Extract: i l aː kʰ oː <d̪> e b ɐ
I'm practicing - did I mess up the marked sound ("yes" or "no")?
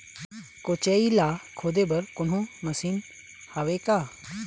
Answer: no